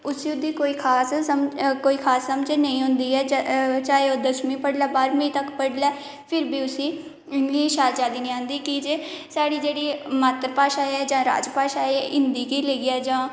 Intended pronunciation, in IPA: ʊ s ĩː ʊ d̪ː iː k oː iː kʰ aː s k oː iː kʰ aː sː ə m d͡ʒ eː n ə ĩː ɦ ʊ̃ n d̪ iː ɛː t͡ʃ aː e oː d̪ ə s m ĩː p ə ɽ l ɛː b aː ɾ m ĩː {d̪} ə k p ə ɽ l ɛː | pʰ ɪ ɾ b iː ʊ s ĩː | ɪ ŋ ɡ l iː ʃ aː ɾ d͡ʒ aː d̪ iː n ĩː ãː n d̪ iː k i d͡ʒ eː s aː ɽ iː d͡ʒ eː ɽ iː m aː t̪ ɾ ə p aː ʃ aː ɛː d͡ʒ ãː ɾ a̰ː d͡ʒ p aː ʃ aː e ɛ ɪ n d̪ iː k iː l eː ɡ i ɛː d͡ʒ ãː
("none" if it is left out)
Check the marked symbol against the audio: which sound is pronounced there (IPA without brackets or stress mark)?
t̪